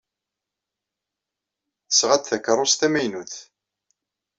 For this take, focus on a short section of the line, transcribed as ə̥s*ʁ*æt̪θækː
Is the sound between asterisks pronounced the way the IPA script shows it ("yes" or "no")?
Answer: yes